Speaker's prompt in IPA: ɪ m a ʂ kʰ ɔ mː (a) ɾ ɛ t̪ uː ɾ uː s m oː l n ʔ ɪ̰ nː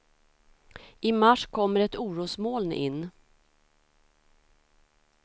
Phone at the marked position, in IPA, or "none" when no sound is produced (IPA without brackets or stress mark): ə